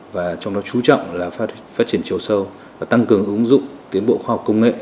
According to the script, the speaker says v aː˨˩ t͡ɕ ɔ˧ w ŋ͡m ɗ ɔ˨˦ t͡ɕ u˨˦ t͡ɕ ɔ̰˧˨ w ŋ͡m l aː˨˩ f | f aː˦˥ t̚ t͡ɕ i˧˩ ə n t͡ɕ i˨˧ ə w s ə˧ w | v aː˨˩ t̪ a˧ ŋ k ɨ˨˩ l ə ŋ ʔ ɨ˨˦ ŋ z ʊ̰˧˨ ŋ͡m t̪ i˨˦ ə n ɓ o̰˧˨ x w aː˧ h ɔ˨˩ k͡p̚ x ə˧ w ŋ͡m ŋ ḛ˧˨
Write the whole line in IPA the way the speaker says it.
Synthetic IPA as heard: v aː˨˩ t͡ɕ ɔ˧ w ŋ͡m ɗ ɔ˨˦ t͡ɕ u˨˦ t͡ɕ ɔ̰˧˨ w ŋ͡m l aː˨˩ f | f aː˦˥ t̚ t͡ɕ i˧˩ ə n t͡ɕ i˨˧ ə w s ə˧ w | v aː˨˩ t̪ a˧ ŋ k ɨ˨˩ ə ŋ ʔ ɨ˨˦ ŋ z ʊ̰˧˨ ŋ͡m t̪ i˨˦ ə n ɓ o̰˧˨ x w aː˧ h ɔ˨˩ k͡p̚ k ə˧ w ŋ͡m ŋ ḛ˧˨